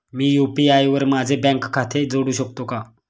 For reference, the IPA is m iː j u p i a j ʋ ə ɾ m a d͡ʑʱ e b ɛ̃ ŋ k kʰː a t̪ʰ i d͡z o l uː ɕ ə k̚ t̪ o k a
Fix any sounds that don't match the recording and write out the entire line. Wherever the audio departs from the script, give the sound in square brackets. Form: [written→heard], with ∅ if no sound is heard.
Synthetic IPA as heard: m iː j u p i a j ʋ ə ɾ m a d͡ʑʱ e b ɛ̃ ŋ k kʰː a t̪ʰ [i→e] d͡z o [l→ɽ] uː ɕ ə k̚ t̪ o k a